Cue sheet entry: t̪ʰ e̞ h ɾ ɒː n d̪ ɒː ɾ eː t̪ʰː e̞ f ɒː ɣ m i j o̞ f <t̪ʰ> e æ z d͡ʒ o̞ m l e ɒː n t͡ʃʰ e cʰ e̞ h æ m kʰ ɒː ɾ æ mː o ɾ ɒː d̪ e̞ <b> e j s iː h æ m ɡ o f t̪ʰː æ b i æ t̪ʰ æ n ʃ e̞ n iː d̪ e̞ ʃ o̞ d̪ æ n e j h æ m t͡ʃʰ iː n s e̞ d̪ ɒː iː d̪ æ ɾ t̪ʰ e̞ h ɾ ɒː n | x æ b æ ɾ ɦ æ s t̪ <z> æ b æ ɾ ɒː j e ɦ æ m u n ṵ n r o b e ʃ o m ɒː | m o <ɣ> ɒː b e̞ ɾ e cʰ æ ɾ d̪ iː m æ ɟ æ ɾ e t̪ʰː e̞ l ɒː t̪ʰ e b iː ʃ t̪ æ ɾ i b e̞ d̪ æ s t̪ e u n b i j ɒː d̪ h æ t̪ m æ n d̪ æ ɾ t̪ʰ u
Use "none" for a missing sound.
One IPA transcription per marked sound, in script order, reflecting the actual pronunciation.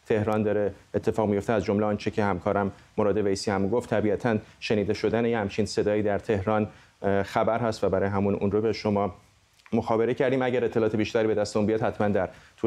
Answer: t̪, v, v, x

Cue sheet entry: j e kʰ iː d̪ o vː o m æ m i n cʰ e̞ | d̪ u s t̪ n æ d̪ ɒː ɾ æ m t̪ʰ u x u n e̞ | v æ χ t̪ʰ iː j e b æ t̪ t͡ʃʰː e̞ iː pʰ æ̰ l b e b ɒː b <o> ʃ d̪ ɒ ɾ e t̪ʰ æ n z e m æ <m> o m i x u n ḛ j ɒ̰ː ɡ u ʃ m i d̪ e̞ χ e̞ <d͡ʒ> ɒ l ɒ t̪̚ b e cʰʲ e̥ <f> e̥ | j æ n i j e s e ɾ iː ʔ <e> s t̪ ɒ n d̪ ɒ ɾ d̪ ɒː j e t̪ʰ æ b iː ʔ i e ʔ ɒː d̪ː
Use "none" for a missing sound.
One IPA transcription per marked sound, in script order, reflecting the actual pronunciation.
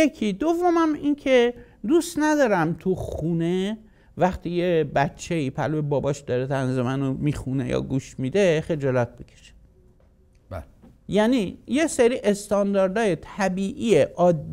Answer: ɒ, n, d͡ʒ, ʃ, e

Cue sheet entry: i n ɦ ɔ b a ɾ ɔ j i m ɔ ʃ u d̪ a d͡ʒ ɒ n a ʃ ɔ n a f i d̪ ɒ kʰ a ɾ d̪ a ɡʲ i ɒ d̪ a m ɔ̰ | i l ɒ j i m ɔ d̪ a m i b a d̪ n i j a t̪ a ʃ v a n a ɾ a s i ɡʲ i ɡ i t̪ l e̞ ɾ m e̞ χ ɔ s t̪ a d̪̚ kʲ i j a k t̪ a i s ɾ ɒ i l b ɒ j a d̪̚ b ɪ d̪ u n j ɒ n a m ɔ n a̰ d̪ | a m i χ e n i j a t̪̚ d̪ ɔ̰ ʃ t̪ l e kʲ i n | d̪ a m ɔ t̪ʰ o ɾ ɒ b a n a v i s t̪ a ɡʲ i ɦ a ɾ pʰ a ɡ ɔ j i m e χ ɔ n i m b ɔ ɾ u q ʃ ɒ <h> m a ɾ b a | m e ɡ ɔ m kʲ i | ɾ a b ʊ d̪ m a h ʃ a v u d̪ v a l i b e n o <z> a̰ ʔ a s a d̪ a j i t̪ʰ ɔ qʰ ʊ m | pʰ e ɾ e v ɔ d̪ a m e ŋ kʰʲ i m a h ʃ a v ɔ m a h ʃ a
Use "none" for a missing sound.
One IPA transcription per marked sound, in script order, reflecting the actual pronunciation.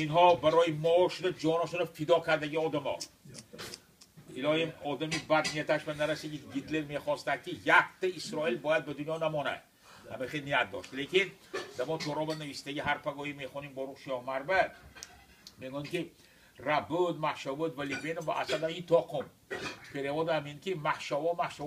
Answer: h, v

